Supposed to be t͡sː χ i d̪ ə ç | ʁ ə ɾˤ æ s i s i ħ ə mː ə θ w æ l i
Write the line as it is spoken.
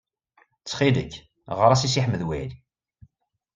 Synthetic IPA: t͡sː χ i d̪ ə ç | ʁ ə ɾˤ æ s i s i ħ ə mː ə ð w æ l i